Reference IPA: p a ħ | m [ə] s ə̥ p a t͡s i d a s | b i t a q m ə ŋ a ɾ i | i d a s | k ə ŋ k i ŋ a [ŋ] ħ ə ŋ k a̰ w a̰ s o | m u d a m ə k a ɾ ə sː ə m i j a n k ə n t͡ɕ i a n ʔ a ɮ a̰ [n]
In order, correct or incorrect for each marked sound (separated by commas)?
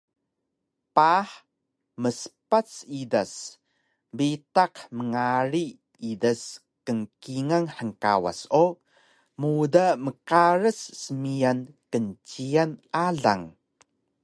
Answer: correct, correct, incorrect